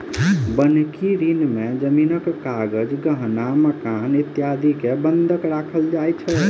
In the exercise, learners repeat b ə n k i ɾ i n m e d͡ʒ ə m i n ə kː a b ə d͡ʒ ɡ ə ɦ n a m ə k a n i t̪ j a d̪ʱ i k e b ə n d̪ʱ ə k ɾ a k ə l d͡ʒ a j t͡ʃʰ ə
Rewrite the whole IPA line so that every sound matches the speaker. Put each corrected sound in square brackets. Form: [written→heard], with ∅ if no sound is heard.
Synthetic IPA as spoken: b ə n k i ɾ i n m e d͡ʒ ə m i n ə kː a [b→ɡ] ə d͡ʒ ɡ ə ɦ n a m ə k a n i t̪ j a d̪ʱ i k e b ə n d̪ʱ ə k ɾ a [k→kʰ] ə l d͡ʒ a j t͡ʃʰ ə